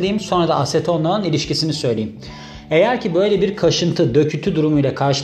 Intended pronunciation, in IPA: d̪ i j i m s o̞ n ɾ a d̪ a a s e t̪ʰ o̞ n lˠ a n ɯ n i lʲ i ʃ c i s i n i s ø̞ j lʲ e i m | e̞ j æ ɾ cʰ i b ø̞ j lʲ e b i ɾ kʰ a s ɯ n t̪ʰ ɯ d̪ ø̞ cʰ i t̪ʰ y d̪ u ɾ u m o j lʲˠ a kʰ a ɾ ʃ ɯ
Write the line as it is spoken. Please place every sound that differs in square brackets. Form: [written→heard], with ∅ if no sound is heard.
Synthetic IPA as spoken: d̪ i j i m s o̞ n ɾ a d̪ a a s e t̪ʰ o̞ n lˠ a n ɯ n i lʲ i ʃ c i s i n i s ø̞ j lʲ e i m | e̞ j æ ɾ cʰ i b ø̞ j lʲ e b i ɾ kʰ a [s→ʃ] ɯ n t̪ʰ ɯ d̪ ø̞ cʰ [i→y] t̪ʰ y d̪ u ɾ u m [o→u] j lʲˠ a kʰ a ɾ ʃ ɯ